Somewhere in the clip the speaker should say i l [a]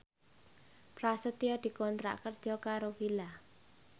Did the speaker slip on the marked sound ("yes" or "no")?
no